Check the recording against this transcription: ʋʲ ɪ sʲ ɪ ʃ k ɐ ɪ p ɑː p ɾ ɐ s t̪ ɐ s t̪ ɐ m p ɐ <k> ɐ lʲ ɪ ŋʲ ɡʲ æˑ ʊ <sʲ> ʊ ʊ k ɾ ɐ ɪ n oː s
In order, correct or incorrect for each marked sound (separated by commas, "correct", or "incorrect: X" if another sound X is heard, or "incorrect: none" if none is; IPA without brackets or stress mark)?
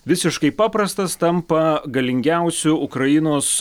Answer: incorrect: ɡ, correct